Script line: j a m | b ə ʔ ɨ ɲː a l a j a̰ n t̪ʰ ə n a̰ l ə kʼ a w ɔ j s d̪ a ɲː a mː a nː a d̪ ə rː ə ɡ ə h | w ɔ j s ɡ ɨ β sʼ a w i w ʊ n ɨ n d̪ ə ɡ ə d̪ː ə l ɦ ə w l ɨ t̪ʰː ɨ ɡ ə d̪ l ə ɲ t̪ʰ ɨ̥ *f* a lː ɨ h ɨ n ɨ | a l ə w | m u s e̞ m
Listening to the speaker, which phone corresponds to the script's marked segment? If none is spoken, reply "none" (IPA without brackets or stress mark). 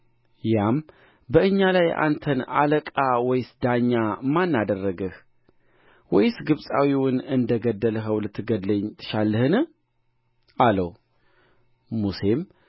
ʃ